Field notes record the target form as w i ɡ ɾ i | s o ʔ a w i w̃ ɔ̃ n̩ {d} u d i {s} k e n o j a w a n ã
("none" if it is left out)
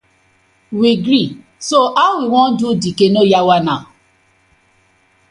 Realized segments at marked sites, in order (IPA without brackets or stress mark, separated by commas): d, none